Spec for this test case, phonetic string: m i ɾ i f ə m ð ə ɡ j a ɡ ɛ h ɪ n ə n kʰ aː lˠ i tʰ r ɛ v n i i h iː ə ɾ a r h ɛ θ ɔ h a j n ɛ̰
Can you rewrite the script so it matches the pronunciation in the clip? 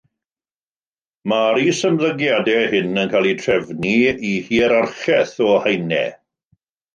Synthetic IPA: m a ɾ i s ə m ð ə ɡ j a d ɛ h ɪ n ə n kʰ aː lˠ i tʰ r ɛ v n i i h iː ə ɾ a r χ ɛ θ ɔ h a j n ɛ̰